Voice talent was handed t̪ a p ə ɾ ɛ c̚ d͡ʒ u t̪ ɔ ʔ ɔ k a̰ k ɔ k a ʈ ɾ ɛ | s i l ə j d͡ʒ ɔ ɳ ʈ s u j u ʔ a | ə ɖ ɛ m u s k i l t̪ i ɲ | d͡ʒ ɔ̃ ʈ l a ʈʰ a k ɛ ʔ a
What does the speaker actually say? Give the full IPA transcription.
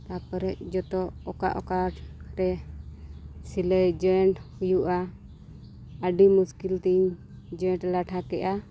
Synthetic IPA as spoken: t̪ a p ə ɾ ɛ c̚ d͡ʒ ɔ t̪ ɔ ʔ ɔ k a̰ ʔ ɔ k a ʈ ɾ ɛ | s i l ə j d͡ʒ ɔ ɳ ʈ h u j u ʔ a | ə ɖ i m u s k i l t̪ i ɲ | d͡ʒ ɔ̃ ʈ l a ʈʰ a k ɛ ʔ a